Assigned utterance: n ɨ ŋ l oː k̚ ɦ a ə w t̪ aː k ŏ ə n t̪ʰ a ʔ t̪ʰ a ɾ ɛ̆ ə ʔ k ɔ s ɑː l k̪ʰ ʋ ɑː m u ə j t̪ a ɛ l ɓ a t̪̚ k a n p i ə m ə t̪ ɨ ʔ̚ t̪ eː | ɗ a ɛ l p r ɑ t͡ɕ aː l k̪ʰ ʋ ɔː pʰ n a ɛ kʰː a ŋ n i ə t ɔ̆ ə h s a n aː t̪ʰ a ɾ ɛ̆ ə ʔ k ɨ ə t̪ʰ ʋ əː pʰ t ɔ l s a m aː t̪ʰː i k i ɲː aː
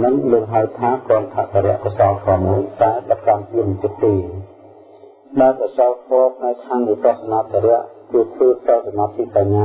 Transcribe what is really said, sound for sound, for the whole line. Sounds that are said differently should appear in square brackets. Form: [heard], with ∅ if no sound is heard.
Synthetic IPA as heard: n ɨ ŋ l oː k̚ ɦ a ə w [t̪ʰ] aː k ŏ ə n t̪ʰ a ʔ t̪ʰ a ɾ ɛ̆ ə ʔ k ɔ s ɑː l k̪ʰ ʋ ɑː m u ə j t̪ a ɛ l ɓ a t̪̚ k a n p i ə m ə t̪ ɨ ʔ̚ t̪ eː | ɗ a ɛ l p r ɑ t͡ɕ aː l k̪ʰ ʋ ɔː pʰ n a ɛ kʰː a ŋ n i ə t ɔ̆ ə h s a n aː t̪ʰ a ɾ ɛ̆ ə ʔ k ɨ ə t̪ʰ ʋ əː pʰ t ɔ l s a m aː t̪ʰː i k [a] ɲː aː